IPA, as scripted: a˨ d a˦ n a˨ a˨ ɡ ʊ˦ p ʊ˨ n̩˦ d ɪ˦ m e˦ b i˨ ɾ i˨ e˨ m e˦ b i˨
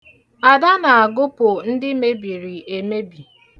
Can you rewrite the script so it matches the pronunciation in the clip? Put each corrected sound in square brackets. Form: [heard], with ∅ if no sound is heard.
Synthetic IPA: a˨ d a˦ n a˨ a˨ ɡ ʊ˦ p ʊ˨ n̩˦ d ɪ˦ m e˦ b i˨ ɾ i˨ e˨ m e˦ b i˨